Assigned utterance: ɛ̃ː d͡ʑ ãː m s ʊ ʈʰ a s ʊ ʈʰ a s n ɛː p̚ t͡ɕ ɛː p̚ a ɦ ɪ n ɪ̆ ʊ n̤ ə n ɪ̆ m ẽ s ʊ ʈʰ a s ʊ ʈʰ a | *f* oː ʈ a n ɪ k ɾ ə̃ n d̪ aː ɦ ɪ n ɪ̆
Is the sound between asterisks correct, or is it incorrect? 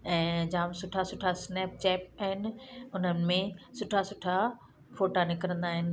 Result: correct